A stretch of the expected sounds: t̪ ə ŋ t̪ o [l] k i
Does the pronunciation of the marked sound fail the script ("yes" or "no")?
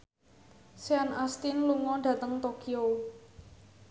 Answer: yes